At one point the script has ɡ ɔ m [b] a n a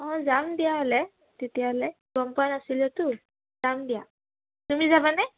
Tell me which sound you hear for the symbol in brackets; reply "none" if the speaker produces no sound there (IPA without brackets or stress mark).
p